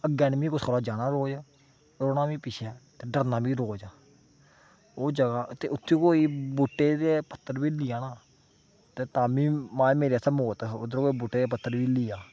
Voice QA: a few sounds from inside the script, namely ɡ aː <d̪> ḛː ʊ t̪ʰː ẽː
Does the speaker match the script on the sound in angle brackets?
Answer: no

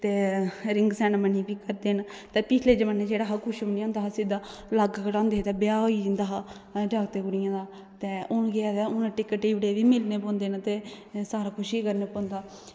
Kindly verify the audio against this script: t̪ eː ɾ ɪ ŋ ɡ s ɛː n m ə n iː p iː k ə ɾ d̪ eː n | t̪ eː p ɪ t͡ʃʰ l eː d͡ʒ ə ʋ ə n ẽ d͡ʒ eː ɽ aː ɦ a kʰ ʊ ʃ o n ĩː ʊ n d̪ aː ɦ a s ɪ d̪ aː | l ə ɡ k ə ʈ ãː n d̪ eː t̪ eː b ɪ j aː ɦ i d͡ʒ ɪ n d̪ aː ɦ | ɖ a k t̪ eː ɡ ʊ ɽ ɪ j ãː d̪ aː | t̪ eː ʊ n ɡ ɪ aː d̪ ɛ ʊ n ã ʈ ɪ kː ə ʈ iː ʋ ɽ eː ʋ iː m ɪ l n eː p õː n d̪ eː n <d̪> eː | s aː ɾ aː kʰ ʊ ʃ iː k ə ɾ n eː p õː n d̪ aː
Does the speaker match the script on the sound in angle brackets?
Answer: no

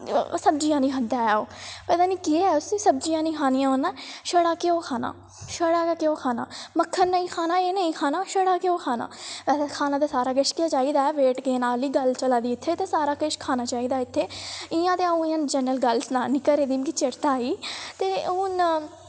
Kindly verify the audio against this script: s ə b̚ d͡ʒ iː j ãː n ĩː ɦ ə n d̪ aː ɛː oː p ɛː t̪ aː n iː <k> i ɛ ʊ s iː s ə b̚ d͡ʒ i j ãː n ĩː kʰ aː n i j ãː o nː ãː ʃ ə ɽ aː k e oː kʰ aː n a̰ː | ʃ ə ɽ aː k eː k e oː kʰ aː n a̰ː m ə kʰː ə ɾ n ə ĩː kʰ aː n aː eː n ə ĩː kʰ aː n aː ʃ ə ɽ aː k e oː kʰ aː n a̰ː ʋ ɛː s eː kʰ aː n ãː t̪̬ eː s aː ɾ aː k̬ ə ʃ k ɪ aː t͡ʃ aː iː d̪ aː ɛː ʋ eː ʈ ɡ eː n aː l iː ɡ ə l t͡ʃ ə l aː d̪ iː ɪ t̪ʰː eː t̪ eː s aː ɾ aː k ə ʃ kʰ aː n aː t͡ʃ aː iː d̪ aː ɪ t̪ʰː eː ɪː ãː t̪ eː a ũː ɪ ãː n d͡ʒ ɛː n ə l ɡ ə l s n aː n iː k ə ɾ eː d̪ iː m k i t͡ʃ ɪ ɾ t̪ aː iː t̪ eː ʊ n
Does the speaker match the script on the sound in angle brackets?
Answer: yes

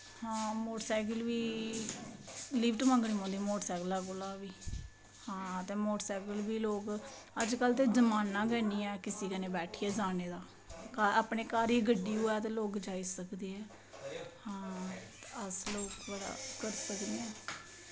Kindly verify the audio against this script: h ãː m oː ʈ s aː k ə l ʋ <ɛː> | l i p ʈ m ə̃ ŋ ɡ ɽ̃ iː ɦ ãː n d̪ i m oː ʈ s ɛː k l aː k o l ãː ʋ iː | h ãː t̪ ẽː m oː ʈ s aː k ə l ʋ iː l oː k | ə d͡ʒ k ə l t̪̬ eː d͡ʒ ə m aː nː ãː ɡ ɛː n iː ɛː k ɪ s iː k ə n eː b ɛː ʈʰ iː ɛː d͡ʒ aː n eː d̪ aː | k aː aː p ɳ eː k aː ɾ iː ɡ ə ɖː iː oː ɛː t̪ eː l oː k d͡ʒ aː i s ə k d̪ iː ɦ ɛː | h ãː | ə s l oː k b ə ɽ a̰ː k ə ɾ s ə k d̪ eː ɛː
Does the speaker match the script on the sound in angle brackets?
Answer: no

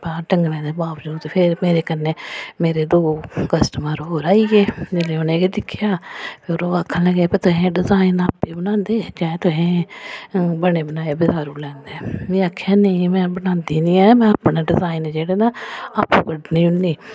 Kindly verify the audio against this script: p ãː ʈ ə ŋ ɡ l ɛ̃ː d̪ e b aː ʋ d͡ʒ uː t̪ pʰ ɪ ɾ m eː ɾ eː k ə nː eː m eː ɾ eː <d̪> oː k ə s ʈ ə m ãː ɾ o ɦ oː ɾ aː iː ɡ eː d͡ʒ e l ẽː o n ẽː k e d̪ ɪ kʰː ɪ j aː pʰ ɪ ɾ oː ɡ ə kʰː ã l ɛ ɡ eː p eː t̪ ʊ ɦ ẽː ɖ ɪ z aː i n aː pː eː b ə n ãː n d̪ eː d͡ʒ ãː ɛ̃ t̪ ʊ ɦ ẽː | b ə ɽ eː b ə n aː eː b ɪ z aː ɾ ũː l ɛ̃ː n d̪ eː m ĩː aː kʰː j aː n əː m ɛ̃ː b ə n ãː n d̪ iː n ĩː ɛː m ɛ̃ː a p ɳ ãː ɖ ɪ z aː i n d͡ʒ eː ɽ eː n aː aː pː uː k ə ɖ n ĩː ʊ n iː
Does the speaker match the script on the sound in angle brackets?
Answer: yes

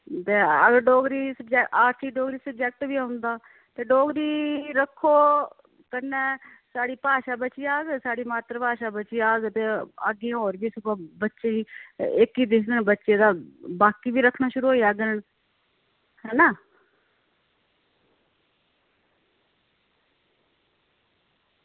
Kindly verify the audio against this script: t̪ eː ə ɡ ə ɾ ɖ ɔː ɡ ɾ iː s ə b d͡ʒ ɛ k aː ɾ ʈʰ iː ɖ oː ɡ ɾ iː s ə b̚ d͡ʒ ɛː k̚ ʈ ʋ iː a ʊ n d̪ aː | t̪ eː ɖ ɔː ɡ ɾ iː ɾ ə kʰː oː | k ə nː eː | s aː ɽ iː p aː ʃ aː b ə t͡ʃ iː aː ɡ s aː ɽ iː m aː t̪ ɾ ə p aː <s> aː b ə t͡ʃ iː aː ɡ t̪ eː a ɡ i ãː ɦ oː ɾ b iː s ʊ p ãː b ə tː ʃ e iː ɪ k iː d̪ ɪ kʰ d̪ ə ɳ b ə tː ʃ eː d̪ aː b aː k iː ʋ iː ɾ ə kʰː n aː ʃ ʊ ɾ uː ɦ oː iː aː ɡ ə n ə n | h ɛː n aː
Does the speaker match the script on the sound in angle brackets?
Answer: no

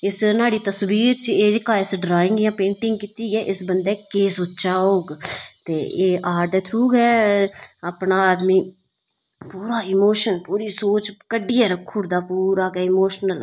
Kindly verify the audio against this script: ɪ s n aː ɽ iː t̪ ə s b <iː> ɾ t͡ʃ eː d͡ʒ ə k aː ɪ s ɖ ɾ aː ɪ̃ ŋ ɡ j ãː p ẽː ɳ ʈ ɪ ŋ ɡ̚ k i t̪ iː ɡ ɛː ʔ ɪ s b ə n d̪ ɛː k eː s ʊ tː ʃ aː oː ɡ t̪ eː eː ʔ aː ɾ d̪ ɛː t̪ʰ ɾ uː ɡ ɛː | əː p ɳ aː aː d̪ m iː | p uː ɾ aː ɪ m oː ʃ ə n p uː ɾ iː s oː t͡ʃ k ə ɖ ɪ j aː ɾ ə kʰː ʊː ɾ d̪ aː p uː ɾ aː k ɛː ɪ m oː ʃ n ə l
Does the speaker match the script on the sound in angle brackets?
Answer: yes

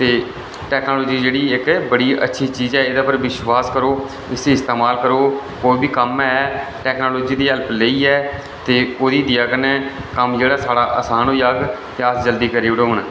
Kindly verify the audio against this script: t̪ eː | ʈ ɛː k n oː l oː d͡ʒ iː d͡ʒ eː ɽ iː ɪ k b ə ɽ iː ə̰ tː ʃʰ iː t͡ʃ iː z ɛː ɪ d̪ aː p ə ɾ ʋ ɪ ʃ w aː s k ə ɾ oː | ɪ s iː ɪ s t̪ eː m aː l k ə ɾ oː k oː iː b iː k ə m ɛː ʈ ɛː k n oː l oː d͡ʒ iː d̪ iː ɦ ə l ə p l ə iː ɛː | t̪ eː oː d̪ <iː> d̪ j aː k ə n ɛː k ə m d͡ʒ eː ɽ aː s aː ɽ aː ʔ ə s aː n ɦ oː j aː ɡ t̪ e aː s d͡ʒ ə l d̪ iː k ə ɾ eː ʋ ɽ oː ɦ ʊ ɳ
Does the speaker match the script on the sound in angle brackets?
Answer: yes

